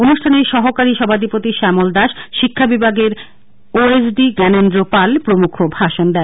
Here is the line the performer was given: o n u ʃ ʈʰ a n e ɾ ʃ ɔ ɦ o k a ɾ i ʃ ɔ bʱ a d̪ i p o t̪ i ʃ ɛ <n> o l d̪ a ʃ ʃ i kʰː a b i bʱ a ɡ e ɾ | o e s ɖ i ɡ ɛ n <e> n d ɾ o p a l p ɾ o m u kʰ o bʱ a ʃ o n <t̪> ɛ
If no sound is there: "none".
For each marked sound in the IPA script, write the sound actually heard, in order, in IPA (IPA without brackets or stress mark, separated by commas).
m, e, d̪